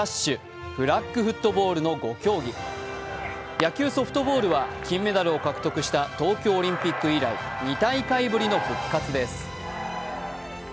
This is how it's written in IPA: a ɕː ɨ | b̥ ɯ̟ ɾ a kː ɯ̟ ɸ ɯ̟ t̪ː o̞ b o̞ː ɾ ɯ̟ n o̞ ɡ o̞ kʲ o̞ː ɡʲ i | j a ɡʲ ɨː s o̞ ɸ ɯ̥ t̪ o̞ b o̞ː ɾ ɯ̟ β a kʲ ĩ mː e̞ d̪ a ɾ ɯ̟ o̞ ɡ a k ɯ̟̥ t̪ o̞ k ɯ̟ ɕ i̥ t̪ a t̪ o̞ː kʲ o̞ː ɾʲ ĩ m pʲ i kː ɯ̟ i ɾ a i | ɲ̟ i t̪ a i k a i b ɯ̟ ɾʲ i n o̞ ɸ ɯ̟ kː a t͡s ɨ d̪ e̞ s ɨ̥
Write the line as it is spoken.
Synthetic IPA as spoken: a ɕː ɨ | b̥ ɯ̟ ɾ a kː ɯ̟ ɸ ɯ̟ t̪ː o̞ b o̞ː ɾ ɯ̟ n o̞ ɡ o̞ kʲ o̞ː ɡʲ i | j a kʲ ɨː s o̞ ɸ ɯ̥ t̪ o̞ b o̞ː ɾ ɯ̟ β a kʲ ĩ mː e̞ d̪ a ɾ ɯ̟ o̞ k a k ɯ̟̥ t̪ o̞ k ɯ̟ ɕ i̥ t̪ a t̪ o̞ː kʲ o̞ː ɾʲ ĩ m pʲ i kː ɯ̟ i ɾ a i | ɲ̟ i t̪ a i k a i b ɯ̟ ɾʲ i n o̞ ɸ ɯ̟ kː a t͡s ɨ d̪ e̞ s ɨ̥